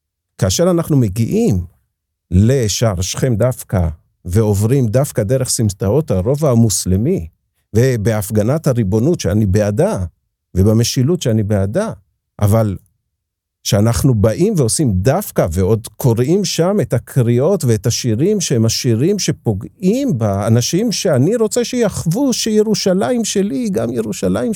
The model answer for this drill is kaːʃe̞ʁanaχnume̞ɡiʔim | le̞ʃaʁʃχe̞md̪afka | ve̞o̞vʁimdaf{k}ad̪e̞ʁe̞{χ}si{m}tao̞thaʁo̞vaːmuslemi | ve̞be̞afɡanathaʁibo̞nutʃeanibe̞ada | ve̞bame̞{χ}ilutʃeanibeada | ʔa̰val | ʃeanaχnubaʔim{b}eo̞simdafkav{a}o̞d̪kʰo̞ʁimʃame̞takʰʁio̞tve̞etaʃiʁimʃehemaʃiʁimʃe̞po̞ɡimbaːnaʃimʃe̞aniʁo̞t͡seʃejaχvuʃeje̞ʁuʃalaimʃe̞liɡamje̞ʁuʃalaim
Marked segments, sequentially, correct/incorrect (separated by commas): correct, correct, correct, incorrect, incorrect, incorrect